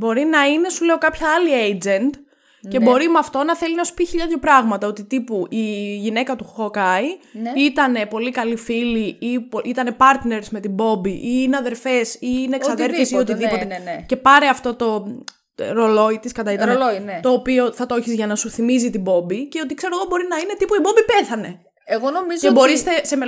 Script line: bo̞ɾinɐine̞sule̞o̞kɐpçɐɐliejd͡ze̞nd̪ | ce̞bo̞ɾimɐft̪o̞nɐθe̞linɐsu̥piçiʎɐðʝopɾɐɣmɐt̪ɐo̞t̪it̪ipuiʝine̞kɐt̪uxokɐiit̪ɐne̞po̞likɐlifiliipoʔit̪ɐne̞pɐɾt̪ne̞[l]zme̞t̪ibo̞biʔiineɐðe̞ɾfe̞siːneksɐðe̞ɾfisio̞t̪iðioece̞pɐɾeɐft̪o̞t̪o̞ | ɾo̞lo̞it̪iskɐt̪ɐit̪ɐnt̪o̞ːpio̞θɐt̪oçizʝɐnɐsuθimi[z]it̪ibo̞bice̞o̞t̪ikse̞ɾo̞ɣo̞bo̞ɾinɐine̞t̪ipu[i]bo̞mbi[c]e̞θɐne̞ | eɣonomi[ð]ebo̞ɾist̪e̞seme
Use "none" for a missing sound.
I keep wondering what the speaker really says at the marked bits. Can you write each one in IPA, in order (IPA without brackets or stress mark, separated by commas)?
ɾ, z, i, p, z